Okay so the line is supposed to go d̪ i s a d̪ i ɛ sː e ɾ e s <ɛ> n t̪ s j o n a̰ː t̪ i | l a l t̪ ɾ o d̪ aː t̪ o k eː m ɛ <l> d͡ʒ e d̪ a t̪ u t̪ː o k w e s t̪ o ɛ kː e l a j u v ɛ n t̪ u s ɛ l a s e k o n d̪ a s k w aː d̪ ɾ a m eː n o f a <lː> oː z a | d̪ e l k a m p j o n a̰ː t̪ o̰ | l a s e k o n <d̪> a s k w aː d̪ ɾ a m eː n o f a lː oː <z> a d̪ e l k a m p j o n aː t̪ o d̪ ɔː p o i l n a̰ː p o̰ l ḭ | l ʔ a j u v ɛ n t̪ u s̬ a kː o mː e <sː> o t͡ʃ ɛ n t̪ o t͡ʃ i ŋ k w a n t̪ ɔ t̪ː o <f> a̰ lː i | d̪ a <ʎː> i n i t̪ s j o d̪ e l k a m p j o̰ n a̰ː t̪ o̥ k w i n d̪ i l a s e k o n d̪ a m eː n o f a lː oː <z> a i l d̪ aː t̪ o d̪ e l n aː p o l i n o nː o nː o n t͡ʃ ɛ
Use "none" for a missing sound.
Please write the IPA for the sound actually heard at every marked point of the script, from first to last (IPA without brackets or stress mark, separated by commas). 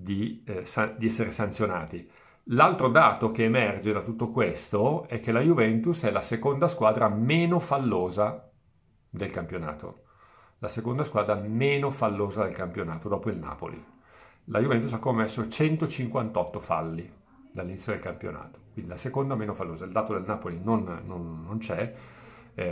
a, r, lː, d̪, z, sː, f, lː, z